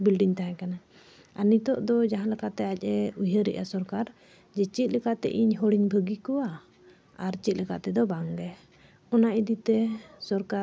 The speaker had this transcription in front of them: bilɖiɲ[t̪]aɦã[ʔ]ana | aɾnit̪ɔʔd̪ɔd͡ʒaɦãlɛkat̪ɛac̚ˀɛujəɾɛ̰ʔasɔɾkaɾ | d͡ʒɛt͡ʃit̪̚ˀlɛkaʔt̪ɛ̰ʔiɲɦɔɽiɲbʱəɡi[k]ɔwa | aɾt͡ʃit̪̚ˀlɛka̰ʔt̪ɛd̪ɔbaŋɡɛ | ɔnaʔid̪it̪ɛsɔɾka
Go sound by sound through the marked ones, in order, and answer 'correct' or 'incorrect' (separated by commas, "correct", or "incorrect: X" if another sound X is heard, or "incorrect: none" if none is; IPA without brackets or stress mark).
correct, incorrect: k, correct